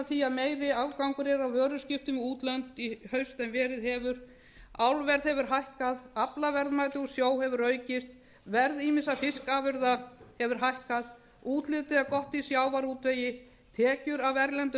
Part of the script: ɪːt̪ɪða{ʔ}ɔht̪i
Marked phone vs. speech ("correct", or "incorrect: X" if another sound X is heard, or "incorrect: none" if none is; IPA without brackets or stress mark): incorrect: k